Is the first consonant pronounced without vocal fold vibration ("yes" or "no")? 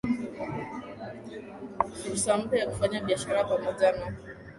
yes